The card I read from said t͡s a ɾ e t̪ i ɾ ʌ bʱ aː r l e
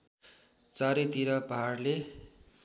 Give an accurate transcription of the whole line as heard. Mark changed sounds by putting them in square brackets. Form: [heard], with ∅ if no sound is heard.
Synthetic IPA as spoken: t͡s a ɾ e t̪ i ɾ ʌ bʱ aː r l e